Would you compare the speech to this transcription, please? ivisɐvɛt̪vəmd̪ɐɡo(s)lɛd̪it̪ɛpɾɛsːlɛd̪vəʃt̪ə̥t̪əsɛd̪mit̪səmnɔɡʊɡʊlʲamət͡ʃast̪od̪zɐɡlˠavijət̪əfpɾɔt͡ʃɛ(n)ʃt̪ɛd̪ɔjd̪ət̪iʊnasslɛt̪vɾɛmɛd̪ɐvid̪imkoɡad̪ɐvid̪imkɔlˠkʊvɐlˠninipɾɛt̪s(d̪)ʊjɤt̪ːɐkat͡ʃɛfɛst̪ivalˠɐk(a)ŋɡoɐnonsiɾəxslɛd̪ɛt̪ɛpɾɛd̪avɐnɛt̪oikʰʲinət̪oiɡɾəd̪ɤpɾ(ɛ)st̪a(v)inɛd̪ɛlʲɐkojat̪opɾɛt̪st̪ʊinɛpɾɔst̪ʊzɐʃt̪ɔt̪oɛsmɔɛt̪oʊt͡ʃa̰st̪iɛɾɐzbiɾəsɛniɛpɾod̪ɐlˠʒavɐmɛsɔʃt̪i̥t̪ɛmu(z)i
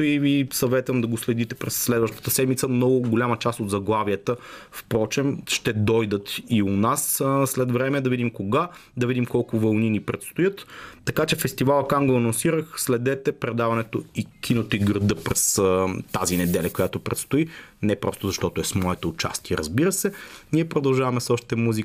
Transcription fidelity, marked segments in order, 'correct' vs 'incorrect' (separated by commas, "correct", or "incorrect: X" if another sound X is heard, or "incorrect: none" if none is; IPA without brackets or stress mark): correct, incorrect: m, incorrect: t̪, correct, correct, incorrect: z, correct